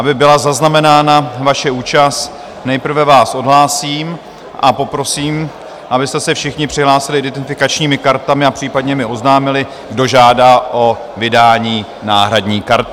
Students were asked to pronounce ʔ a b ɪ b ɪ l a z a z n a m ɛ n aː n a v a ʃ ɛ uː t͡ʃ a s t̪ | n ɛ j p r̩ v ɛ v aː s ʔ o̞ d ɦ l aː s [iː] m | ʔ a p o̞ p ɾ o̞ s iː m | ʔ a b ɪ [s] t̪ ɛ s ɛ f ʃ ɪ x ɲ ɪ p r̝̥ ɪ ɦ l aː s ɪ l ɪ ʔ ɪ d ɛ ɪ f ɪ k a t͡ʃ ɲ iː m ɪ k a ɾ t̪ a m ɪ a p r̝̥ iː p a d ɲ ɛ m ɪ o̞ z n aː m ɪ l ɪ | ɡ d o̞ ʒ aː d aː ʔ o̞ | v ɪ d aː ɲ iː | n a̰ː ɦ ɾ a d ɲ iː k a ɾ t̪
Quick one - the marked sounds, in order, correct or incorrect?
correct, correct

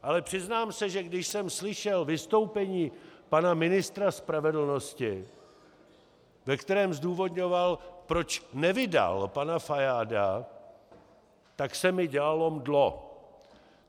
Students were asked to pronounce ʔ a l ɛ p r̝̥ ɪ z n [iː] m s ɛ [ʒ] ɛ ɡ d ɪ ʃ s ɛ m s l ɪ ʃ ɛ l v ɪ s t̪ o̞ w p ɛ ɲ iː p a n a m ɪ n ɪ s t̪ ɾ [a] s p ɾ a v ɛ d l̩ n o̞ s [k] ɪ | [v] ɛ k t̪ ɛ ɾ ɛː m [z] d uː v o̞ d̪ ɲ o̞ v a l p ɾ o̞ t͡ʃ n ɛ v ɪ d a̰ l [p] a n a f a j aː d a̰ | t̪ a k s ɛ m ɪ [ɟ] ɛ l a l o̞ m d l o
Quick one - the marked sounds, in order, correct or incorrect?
incorrect, correct, correct, incorrect, correct, correct, correct, correct

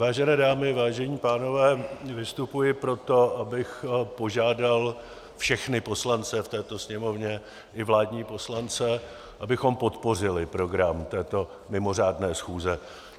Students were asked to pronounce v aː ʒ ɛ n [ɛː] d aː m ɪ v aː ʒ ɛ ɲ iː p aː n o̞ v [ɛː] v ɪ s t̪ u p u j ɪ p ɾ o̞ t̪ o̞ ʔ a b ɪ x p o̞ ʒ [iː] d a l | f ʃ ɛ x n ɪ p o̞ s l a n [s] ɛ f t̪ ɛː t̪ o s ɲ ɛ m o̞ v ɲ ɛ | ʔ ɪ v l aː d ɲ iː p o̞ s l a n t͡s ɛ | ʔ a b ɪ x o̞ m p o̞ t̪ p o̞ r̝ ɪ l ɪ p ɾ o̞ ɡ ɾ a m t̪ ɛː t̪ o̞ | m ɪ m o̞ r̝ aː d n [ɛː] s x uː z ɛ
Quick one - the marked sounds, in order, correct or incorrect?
correct, correct, incorrect, incorrect, correct

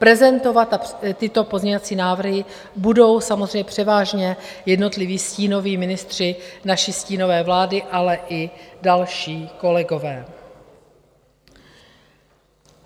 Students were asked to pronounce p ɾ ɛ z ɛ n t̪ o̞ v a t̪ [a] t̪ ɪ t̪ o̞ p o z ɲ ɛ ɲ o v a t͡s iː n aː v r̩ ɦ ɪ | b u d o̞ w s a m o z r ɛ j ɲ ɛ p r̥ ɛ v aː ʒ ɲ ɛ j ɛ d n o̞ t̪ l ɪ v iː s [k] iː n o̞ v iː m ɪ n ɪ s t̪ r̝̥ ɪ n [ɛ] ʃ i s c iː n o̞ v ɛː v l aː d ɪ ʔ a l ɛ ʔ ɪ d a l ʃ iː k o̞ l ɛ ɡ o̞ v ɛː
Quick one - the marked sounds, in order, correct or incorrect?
correct, incorrect, incorrect

